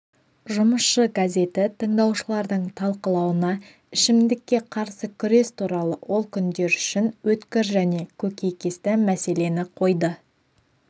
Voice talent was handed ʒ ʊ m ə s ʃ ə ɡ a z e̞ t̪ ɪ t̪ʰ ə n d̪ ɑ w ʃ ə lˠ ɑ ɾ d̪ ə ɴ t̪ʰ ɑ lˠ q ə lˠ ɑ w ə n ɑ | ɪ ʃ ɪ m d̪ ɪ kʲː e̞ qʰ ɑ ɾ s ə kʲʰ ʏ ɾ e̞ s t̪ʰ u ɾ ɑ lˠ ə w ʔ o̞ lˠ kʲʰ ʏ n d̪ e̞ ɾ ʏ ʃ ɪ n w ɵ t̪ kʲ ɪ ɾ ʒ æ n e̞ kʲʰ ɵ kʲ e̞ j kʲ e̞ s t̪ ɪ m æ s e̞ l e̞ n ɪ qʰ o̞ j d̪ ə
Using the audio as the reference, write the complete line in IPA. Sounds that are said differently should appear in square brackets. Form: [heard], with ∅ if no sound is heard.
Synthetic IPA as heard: ʒ ʊ m ə s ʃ ə ɡ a z e̞ t̪ ɪ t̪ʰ ə [ɴ] d̪ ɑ w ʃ ə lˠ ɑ ɾ d̪ ə ɴ t̪ʰ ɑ lˠ q ə lˠ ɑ w ə n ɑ | ɪ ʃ ɪ m d̪ ɪ kʲː e̞ qʰ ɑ ɾ s ə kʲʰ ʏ ɾ e̞ s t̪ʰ u ɾ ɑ lˠ ə w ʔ o̞ lˠ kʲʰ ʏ n d̪ e̞ ɾ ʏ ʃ ɪ n w ɵ t̪ kʲ ɪ ɾ ʒ æ n e̞ kʲʰ ɵ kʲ e̞ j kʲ e̞ s t̪ ɪ m æ s e̞ l e̞ n ɪ qʰ o̞ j d̪ ə